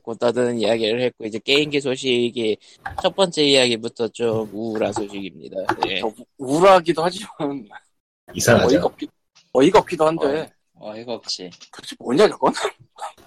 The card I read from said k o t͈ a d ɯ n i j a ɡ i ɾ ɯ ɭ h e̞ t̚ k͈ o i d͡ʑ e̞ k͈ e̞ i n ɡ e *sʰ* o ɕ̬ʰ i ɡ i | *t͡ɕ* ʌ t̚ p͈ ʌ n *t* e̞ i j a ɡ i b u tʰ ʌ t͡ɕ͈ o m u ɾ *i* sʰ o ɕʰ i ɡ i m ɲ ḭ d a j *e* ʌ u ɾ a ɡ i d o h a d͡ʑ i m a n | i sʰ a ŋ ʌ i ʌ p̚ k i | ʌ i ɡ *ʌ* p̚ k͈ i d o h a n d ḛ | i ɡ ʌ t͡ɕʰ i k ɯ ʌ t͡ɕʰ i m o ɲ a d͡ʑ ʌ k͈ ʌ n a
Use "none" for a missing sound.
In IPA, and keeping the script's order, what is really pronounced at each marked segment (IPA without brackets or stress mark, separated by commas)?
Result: sʰ, t͡ɕʰ, t͡ɕ͈, a, e, ʌ